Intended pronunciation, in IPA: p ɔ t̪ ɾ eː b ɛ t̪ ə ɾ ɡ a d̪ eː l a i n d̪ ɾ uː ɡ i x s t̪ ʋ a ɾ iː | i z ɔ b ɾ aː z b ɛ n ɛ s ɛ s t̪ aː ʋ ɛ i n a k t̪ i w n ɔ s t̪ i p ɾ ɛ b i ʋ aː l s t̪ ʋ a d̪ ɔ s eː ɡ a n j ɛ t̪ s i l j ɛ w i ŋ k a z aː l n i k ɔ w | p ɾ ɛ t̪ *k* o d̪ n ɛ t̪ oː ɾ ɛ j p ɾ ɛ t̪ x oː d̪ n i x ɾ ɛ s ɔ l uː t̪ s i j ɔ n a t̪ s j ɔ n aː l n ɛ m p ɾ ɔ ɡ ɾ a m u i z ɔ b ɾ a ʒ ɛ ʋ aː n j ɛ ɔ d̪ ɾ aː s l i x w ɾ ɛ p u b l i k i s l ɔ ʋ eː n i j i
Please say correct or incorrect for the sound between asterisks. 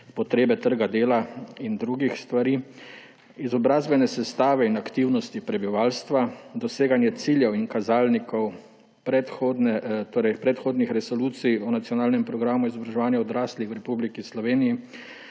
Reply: incorrect: x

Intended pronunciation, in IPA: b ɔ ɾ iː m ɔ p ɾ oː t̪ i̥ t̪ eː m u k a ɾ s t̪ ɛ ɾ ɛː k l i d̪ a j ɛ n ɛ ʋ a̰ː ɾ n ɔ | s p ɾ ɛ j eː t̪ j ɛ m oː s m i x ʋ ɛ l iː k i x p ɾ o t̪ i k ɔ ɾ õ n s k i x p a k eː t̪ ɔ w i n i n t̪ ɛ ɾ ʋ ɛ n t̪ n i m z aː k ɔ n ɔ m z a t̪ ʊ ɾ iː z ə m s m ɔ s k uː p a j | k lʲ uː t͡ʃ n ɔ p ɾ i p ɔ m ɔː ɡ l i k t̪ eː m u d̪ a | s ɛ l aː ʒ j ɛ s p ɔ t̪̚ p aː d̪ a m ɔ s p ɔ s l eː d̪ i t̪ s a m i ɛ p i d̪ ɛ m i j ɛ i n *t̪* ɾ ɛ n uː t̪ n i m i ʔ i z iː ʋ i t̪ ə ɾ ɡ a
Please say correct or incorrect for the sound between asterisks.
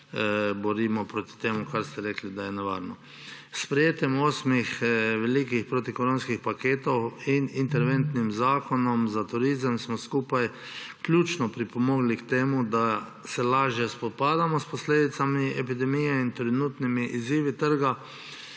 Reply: correct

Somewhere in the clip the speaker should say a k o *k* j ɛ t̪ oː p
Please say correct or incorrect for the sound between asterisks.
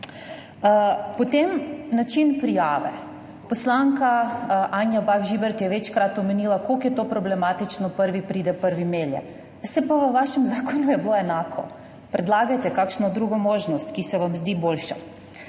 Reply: correct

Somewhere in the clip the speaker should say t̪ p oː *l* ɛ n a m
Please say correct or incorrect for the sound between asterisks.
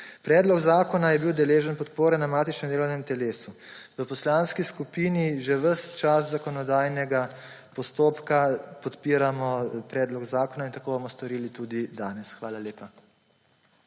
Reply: incorrect: ɾ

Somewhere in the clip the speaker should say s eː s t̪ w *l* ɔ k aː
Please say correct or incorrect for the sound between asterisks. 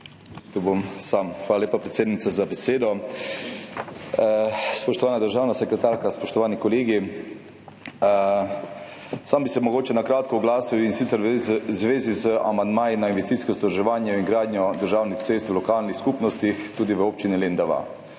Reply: correct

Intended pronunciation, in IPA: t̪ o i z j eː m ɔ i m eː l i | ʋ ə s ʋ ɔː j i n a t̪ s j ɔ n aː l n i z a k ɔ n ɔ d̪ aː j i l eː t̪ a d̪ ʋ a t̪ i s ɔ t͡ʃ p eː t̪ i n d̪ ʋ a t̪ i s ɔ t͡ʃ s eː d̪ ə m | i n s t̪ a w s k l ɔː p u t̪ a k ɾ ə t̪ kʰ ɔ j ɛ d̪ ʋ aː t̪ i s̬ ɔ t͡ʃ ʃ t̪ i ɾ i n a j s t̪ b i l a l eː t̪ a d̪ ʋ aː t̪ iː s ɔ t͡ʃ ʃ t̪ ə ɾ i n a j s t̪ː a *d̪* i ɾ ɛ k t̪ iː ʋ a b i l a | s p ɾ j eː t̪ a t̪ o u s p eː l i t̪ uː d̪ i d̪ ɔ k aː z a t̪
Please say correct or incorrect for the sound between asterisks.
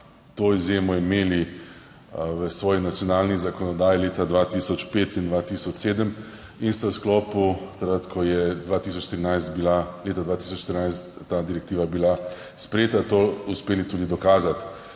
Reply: correct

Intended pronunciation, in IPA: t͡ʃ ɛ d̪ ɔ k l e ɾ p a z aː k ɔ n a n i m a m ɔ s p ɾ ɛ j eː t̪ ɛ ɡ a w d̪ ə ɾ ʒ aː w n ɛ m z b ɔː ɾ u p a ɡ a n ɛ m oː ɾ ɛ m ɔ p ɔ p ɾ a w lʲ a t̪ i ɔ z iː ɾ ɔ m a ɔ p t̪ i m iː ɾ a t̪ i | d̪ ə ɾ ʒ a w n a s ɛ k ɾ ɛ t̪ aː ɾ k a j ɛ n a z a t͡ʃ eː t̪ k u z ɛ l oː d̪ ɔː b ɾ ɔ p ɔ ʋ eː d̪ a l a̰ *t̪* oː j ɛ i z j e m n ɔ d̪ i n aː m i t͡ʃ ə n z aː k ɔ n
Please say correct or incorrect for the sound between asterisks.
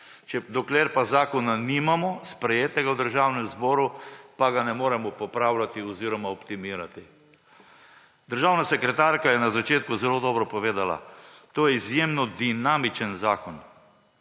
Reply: correct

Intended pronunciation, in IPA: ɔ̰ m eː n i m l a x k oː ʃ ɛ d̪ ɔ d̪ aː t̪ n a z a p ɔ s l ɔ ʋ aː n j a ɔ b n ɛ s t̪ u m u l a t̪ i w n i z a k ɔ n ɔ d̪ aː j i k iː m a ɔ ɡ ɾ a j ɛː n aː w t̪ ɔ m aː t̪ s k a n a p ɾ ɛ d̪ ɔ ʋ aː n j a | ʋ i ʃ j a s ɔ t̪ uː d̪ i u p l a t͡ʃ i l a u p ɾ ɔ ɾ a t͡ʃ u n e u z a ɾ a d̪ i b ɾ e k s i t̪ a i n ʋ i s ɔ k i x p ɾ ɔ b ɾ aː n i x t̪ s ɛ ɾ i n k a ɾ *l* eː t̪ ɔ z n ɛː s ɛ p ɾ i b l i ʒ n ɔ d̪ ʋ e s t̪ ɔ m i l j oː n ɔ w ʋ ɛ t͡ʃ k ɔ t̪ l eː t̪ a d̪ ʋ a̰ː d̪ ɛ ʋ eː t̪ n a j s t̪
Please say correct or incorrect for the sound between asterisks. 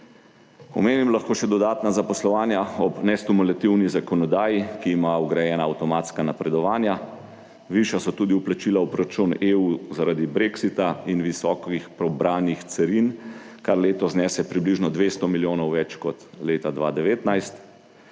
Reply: correct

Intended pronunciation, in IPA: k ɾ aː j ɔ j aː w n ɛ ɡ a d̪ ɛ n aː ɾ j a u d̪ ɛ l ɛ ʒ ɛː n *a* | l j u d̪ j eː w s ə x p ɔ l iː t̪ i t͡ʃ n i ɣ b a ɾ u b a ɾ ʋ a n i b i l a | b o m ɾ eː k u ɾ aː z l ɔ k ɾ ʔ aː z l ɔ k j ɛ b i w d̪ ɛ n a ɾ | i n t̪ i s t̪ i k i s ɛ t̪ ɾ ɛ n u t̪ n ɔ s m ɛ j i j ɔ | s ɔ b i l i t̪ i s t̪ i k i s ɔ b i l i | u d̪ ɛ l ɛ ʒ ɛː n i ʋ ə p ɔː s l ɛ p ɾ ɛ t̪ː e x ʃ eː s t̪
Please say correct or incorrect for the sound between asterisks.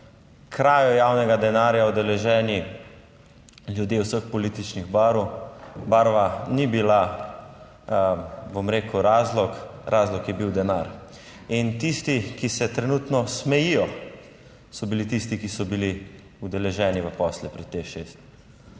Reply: incorrect: i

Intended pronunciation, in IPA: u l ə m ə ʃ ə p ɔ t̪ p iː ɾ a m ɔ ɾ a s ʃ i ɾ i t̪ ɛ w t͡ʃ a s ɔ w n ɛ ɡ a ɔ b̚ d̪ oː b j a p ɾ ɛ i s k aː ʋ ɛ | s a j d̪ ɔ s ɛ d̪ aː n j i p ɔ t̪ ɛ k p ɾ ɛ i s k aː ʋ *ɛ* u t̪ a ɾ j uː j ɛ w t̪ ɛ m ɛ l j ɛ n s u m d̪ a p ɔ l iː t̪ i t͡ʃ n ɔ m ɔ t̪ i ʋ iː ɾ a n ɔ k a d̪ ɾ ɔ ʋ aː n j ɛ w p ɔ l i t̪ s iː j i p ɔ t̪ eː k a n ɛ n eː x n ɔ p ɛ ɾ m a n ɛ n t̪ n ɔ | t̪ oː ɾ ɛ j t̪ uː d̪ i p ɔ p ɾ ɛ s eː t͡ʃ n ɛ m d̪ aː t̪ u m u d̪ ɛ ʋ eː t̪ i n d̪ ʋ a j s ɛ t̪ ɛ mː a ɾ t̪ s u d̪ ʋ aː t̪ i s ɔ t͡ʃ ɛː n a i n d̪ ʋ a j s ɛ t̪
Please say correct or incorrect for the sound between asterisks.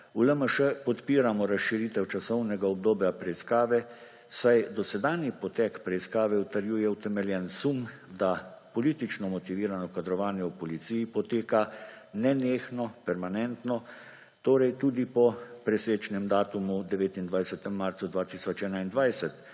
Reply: correct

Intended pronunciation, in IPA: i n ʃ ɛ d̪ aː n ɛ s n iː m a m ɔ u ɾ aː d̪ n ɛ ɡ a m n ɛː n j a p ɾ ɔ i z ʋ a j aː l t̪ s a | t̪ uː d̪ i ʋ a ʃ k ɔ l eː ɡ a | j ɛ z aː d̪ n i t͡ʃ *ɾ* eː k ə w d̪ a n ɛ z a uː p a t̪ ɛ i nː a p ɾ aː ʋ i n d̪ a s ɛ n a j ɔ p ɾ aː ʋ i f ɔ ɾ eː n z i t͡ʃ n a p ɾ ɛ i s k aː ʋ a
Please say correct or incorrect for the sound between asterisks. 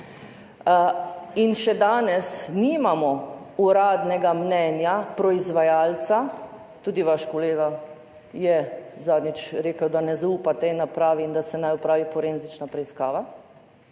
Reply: correct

